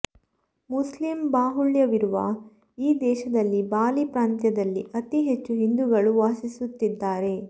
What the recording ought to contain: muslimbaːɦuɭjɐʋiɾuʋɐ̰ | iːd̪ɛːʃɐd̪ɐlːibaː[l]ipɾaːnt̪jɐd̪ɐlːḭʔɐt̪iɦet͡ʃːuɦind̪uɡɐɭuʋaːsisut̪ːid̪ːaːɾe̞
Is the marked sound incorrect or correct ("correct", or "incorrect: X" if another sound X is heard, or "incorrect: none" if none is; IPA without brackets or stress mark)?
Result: correct